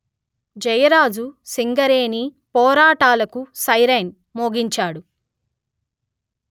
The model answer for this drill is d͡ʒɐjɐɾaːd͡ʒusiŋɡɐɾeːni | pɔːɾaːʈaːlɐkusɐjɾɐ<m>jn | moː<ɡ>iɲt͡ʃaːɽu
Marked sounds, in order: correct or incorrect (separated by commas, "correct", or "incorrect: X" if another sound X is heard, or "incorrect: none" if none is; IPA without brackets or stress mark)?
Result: incorrect: none, correct